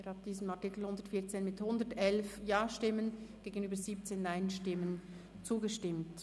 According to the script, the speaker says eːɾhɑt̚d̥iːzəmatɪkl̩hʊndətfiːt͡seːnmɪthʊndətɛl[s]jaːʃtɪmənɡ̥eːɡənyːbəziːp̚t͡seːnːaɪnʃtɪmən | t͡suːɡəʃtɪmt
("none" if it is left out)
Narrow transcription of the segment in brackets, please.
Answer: f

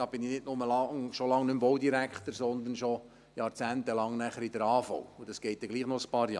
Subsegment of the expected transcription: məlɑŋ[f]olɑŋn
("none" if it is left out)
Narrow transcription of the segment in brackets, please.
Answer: ʃ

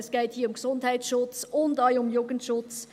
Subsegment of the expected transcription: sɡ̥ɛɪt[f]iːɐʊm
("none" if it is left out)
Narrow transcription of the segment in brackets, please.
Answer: h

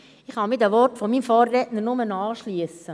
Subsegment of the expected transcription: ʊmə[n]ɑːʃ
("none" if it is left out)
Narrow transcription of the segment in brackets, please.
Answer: n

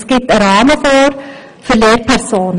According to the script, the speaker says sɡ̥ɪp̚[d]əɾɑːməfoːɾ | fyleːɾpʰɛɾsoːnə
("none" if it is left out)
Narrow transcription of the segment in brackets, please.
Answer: t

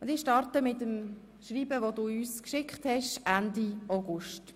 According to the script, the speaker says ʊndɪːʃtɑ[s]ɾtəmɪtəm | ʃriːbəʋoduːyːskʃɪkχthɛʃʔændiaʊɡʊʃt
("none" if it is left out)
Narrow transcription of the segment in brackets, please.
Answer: none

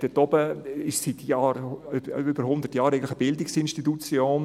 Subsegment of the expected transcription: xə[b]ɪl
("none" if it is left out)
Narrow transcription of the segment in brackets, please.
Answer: b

